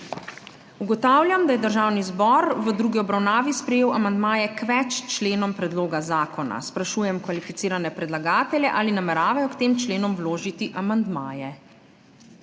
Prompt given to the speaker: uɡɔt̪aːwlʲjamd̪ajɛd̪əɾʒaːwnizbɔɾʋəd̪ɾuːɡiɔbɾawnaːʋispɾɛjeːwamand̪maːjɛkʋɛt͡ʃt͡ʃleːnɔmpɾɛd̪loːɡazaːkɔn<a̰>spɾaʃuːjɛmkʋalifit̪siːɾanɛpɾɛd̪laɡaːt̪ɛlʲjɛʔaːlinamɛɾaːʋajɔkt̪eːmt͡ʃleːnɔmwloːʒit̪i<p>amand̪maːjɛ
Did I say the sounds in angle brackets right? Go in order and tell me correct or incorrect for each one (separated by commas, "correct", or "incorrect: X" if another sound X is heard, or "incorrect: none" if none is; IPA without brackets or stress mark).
correct, incorrect: ʔ